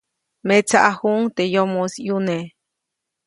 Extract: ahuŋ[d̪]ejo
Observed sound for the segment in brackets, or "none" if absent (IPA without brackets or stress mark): t̪